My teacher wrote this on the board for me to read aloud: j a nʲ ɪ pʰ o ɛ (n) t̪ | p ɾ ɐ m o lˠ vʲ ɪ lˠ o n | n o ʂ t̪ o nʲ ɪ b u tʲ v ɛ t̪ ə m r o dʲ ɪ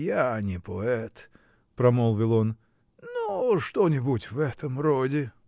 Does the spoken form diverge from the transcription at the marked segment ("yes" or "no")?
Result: yes